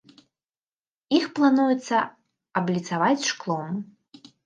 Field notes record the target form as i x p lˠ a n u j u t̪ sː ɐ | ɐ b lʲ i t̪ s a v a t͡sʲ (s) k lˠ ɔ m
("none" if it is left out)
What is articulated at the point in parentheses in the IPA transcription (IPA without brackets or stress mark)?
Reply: ʂ